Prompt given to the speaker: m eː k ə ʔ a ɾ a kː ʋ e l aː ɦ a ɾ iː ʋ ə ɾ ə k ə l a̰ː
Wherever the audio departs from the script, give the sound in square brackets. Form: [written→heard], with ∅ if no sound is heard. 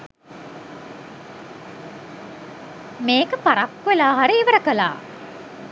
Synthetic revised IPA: m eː k ə [ʔ→p] a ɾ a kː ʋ e l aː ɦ a ɾ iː ʋ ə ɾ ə k ə l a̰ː